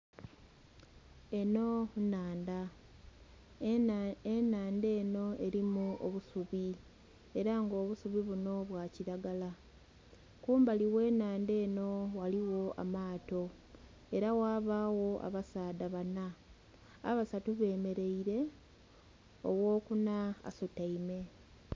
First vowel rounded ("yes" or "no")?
no